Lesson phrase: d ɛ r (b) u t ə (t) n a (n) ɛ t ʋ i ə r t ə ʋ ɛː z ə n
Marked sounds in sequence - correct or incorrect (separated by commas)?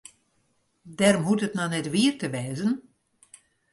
incorrect, correct, correct